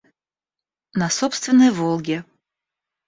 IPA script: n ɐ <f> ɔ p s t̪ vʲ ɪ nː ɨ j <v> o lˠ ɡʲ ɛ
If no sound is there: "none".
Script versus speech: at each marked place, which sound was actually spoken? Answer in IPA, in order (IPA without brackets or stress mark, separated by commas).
s, v